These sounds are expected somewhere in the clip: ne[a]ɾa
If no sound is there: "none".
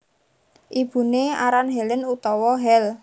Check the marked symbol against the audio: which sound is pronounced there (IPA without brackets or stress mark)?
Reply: a